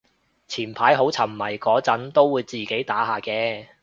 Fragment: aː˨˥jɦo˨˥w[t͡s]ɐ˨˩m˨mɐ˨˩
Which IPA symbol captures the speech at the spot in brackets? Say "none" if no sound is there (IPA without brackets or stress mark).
t͡sʰ